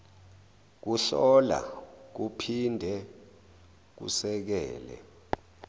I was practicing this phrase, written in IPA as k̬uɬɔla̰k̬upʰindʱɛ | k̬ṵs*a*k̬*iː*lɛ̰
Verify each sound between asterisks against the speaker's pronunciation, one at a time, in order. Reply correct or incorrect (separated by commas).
incorrect, incorrect